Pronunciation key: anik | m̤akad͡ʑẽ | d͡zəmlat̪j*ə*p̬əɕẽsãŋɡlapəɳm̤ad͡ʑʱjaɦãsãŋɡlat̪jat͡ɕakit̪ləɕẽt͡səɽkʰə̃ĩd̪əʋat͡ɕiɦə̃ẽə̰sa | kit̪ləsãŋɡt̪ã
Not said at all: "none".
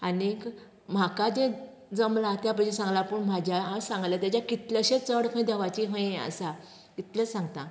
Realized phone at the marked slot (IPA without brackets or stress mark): a